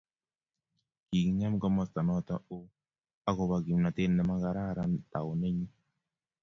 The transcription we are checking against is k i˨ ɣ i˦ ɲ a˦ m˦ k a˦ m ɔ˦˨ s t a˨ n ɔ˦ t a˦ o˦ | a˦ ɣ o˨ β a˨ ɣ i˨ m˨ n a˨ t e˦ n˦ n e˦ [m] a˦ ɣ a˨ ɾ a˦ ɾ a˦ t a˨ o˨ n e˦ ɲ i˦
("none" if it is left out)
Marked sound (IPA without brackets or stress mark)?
m